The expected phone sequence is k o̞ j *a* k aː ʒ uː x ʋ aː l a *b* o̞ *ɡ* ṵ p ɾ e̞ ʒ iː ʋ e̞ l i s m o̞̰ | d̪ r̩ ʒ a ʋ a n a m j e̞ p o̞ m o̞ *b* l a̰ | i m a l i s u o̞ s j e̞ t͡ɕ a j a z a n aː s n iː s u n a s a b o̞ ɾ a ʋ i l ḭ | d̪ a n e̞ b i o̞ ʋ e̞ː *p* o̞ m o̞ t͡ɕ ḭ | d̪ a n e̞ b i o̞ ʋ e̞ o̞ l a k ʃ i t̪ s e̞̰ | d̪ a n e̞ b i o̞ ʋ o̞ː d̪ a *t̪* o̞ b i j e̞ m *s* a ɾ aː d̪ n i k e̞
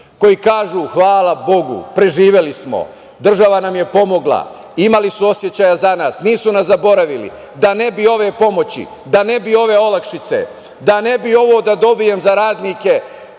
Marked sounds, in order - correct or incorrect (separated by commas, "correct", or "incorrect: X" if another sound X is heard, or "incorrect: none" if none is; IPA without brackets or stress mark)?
incorrect: i, correct, correct, incorrect: ɡ, correct, incorrect: d̪, incorrect: z